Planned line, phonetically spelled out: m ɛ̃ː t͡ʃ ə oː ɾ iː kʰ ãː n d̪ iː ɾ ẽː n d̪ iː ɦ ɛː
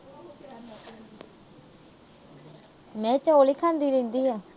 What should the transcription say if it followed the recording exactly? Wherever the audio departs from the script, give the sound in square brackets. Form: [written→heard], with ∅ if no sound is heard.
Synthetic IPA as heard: m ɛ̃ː t͡ʃ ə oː [ɾ→l] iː kʰ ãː n d̪ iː ɾ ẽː n d̪ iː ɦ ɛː